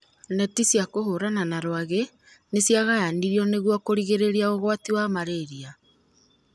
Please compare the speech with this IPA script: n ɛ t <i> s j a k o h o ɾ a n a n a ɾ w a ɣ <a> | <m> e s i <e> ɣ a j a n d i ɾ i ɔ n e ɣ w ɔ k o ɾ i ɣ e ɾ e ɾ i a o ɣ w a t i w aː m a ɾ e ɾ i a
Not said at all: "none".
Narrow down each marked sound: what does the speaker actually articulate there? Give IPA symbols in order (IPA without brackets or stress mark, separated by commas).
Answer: i, e, n, a